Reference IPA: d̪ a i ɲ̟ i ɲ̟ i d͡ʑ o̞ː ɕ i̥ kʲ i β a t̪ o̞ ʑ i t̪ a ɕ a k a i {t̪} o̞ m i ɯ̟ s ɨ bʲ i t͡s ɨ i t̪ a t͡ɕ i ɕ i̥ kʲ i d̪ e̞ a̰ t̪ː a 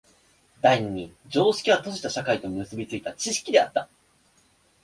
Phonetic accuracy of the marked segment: correct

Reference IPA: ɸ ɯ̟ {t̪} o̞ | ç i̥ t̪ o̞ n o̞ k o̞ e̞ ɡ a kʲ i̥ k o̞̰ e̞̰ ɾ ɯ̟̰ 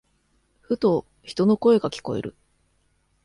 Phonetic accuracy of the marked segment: correct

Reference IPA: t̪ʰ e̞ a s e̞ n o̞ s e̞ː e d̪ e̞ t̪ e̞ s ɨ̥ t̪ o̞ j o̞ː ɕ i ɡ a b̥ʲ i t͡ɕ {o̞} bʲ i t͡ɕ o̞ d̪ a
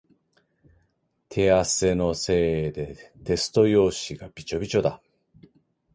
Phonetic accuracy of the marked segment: correct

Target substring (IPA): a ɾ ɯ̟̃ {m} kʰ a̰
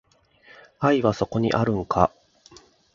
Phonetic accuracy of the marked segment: incorrect: ŋ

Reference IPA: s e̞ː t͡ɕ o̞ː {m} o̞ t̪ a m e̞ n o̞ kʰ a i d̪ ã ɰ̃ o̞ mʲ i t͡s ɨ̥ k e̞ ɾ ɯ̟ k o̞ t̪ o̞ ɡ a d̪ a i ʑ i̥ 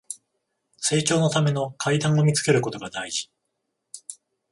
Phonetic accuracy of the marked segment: incorrect: n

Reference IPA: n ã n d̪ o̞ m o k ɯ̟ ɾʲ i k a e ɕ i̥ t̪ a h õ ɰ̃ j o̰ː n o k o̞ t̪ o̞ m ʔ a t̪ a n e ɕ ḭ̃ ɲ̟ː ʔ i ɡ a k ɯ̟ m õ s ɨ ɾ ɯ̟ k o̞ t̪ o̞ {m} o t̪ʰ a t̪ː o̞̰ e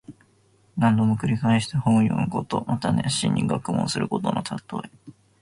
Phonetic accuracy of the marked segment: incorrect: n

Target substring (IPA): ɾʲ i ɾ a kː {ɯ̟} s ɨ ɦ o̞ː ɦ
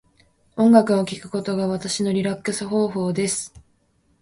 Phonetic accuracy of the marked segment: correct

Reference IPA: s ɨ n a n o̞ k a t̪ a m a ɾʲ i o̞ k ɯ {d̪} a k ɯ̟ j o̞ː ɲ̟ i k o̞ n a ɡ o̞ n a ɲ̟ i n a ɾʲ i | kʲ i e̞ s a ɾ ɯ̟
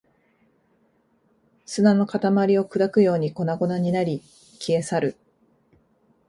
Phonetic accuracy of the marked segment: correct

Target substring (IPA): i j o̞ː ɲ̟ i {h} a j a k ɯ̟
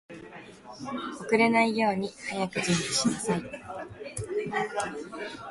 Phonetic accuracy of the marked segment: correct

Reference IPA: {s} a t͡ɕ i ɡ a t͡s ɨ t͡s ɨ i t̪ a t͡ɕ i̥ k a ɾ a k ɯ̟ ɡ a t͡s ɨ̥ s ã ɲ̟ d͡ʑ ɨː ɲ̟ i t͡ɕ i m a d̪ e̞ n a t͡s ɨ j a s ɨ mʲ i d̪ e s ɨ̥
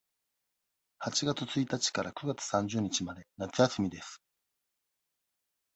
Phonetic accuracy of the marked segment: incorrect: h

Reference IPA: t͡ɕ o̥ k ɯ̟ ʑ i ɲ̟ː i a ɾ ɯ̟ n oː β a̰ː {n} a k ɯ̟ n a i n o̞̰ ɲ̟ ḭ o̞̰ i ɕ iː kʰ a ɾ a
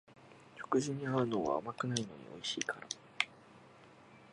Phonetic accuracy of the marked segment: incorrect: m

